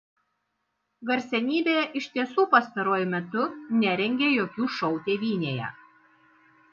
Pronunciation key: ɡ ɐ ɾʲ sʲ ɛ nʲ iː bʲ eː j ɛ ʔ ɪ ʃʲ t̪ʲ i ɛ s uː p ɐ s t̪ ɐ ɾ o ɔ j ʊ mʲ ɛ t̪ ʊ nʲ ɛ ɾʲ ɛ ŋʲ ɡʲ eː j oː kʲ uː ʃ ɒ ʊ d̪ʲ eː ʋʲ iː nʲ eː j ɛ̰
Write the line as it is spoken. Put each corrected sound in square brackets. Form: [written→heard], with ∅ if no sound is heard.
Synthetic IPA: ɡ ɐ ɾʲ sʲ ɛ nʲ iː bʲ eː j ɛ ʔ ɪ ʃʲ t̪ʲ i ɛ s uː p ɐ s t̪ ɐ ɾ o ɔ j ʊ mʲ ɛ t̪ ʊ nʲ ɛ ɾʲ ɛ ŋʲ ɡʲ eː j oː kʲ uː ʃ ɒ ʊ [d̪ʲ→t̪ʲ] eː ʋʲ iː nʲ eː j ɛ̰